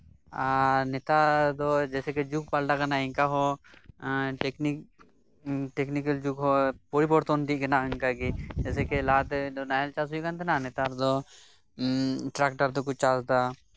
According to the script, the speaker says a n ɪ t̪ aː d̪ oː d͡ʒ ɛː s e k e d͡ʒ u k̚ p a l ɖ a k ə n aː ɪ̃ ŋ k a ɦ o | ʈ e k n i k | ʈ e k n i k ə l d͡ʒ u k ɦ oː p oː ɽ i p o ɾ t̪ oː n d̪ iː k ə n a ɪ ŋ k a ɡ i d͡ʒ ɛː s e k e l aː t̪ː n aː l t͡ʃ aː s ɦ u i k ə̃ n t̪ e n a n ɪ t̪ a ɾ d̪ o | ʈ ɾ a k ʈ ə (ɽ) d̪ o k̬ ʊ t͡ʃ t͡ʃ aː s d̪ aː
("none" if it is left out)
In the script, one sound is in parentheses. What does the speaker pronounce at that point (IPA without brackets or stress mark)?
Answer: ɾ